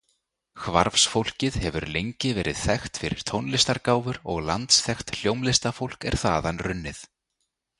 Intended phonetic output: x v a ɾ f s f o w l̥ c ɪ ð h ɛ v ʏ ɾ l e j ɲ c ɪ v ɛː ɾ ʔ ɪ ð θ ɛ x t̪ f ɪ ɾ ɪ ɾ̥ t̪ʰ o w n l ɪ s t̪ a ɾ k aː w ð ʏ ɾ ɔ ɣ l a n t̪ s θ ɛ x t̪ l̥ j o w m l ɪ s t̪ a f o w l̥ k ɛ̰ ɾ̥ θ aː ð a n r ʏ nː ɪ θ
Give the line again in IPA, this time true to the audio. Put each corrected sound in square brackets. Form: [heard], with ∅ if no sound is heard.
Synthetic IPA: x v a ɾ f s f o w l̥ c ɪ ð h ɛ v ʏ ɾ l e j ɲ c ɪ v ɛː ɾ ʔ ɪ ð θ ɛ x t̪ f ɪ ɾ ɪ ɾ̥ t̪ʰ o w n l ɪ s t̪ a ɾ k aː w [v] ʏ ɾ ɔ ɣ l a n t̪ s θ ɛ x t̪ l̥ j o w m l ɪ s t̪ a f o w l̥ k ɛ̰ ɾ̥ θ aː ð a n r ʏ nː ɪ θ